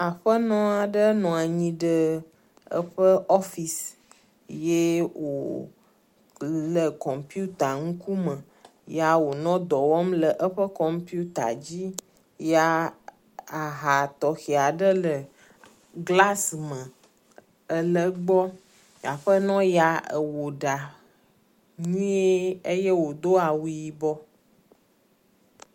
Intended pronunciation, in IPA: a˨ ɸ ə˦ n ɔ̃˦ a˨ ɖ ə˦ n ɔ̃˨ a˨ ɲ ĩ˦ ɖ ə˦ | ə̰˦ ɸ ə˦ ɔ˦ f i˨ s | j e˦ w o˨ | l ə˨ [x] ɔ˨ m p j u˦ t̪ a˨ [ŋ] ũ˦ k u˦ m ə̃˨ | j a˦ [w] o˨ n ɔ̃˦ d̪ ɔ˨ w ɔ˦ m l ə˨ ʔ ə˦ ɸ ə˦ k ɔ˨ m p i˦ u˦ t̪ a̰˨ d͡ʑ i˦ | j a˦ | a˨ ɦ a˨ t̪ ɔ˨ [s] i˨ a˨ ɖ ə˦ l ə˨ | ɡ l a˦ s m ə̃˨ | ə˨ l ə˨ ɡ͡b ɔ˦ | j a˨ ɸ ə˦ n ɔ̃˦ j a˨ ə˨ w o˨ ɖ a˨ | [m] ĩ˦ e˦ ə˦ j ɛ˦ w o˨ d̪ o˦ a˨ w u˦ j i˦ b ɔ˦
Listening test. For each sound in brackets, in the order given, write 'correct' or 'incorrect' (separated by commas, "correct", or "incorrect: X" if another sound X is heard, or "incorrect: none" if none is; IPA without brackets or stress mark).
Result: incorrect: k, correct, correct, incorrect: x, incorrect: ɲ